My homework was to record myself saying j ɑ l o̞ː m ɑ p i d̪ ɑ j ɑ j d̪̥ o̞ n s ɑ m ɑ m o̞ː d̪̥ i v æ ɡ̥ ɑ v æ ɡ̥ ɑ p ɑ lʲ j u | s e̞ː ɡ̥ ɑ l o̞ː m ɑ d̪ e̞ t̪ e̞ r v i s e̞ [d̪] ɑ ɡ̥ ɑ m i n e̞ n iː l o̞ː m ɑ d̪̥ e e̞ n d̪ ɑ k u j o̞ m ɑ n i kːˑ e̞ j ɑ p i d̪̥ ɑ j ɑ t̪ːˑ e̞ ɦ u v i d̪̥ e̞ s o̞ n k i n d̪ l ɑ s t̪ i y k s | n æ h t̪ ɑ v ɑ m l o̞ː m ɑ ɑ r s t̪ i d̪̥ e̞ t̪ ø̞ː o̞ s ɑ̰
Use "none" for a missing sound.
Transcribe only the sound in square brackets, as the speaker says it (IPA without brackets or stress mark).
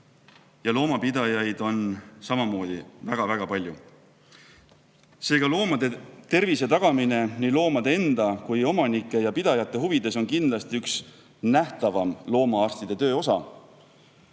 t̪